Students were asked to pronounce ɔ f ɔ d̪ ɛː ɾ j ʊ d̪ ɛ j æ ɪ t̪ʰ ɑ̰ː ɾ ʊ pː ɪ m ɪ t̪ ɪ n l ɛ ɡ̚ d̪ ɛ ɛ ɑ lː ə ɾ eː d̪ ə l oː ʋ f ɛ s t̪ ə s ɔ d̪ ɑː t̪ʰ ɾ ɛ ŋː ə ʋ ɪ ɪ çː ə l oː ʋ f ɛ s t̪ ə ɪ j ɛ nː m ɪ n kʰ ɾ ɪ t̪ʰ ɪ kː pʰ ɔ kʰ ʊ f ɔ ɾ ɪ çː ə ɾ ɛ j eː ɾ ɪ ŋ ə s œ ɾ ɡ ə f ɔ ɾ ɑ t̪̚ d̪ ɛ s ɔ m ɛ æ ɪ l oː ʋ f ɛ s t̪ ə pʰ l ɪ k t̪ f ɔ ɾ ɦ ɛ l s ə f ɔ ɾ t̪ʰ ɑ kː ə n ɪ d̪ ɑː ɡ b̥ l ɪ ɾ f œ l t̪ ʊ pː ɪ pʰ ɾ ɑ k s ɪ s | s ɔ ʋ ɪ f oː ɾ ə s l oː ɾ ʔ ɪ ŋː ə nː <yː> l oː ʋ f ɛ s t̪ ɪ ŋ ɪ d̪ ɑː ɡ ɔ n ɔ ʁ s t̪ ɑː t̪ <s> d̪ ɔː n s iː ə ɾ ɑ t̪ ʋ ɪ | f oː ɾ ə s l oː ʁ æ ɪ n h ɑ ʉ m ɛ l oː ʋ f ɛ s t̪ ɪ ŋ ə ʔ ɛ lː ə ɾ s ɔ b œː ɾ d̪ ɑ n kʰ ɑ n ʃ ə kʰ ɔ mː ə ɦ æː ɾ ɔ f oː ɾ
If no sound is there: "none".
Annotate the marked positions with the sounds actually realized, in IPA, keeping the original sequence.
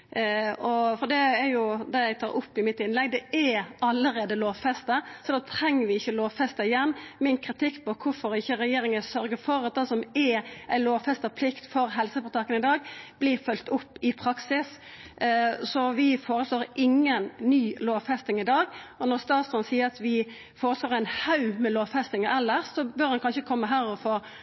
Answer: yː, s

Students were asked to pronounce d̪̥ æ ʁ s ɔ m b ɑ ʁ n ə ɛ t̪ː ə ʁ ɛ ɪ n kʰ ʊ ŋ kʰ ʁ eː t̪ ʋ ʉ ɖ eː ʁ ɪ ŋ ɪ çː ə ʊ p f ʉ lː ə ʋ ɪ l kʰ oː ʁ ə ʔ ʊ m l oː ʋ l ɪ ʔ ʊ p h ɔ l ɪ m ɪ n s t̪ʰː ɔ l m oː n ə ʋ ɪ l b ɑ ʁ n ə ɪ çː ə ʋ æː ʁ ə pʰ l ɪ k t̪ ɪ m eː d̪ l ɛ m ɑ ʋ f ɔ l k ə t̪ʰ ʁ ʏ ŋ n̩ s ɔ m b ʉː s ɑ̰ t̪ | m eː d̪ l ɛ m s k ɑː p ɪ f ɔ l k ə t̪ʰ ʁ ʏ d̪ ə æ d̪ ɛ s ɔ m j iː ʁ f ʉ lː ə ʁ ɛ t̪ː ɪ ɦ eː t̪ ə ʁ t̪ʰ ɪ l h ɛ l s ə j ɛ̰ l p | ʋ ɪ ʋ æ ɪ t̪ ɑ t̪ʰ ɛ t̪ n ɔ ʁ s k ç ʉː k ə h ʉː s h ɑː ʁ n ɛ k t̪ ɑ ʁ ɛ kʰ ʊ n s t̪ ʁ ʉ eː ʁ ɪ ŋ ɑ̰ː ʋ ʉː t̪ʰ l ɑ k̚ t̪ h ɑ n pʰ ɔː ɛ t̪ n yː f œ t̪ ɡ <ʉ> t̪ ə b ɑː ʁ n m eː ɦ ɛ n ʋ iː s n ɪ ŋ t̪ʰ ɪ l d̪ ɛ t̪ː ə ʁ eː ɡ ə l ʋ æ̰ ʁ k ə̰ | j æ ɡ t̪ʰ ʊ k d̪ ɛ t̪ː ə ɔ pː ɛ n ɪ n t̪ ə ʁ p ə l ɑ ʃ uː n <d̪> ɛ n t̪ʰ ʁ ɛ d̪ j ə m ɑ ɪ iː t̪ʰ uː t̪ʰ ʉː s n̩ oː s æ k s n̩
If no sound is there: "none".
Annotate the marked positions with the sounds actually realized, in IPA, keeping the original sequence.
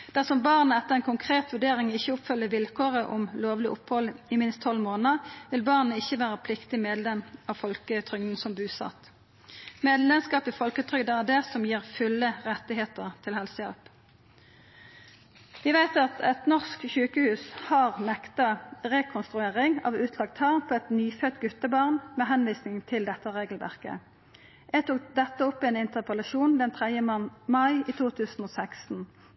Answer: ʉ, d̪

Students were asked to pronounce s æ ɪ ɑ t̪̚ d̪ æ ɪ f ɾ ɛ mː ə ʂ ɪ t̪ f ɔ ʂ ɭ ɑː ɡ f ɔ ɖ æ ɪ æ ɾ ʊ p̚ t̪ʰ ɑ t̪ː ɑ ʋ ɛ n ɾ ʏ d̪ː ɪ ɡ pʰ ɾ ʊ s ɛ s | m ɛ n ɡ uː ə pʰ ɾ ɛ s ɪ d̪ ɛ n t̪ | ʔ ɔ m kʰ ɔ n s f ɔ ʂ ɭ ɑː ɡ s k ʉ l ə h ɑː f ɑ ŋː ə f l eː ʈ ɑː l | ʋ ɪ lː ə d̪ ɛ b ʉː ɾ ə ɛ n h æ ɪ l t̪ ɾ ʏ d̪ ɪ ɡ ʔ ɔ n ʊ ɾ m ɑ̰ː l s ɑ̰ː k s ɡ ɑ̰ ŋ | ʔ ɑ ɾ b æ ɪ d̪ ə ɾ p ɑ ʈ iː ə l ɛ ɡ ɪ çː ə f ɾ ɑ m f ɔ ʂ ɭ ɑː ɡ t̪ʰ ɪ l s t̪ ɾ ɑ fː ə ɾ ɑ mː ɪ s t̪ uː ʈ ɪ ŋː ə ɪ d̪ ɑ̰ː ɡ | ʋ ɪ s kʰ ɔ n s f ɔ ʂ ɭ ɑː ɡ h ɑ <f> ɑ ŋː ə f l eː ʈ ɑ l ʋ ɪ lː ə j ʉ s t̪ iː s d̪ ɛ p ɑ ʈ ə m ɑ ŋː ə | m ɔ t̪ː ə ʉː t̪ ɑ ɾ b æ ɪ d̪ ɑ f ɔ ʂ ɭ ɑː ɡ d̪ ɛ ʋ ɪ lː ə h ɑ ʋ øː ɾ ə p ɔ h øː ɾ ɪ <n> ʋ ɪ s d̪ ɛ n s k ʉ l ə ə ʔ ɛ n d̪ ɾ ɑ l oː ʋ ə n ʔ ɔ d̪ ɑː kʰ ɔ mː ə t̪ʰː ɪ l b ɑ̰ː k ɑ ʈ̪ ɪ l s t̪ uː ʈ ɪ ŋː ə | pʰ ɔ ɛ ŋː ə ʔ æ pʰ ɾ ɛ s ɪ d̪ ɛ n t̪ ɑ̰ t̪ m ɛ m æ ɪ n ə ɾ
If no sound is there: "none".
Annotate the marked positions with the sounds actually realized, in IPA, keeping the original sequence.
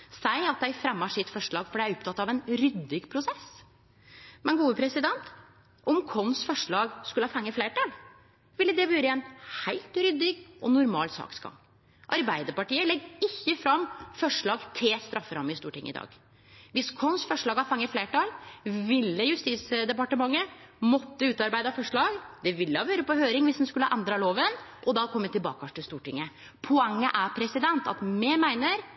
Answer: f, ŋ

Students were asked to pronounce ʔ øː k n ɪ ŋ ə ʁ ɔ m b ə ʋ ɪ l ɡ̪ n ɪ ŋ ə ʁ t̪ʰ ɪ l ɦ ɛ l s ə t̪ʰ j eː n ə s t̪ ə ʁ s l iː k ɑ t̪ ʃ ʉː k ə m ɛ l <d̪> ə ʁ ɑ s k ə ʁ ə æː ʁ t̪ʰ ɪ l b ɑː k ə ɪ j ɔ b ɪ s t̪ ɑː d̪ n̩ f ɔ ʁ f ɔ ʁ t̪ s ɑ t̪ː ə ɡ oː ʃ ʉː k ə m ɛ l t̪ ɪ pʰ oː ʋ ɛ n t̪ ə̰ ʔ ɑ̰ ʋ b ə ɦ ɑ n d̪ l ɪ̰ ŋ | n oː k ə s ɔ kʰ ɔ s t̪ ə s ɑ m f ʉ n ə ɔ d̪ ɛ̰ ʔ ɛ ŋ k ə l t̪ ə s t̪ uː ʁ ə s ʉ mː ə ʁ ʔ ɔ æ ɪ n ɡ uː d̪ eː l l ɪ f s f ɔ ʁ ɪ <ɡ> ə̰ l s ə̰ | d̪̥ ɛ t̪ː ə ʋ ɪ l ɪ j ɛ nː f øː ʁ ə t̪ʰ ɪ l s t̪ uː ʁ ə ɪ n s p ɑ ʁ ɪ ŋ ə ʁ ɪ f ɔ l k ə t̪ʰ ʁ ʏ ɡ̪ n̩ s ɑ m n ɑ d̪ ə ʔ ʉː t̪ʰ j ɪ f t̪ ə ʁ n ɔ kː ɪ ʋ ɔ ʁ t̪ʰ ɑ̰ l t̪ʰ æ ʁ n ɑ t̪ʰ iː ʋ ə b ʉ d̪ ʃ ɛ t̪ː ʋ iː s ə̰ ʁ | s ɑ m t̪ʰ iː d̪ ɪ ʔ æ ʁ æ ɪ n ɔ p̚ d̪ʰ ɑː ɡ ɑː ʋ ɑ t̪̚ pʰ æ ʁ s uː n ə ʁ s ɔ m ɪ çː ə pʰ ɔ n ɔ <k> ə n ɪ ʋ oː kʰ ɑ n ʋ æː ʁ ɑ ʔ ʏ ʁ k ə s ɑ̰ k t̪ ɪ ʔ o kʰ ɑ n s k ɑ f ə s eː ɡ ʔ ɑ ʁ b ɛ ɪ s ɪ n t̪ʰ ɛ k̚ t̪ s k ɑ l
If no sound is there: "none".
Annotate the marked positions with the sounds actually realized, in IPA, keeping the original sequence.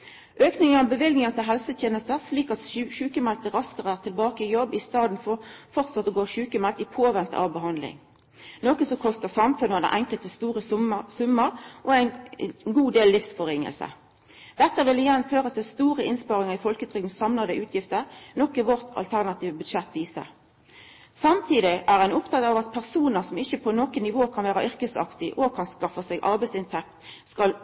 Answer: t̪, ŋ, k

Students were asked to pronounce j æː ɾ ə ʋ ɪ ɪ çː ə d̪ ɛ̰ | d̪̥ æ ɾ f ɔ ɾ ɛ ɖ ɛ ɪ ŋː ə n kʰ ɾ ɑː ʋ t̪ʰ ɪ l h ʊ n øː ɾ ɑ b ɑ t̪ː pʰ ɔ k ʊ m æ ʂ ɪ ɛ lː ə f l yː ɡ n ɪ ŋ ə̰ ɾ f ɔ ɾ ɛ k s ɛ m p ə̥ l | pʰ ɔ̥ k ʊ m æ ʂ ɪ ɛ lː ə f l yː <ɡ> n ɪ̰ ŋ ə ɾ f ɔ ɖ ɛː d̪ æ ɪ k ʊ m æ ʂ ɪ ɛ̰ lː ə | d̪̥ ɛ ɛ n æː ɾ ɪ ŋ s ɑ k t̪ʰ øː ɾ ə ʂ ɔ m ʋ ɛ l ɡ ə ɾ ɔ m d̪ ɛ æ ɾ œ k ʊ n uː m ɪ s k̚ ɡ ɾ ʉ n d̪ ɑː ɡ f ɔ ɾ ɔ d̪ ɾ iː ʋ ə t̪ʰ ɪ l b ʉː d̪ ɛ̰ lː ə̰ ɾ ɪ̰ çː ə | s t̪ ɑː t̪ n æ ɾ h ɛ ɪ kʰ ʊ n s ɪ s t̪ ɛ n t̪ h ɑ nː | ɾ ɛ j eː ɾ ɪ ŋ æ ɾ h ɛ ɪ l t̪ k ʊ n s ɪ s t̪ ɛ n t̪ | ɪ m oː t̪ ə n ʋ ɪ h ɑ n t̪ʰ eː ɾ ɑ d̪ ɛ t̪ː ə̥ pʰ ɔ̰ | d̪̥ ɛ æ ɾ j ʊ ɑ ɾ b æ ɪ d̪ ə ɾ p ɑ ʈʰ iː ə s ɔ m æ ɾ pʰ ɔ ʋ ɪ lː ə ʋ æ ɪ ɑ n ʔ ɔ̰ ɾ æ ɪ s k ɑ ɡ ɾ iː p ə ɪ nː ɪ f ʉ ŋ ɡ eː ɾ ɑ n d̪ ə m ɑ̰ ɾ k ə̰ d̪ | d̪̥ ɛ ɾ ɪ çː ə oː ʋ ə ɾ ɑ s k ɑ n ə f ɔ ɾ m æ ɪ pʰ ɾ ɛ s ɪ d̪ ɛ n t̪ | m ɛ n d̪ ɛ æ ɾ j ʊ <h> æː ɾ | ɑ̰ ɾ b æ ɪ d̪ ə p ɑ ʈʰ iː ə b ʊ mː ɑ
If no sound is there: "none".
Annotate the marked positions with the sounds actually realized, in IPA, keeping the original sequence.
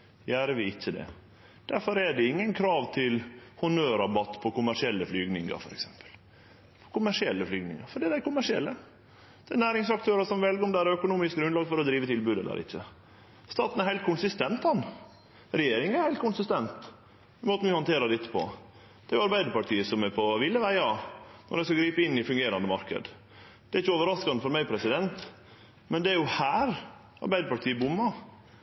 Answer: ɡ, h

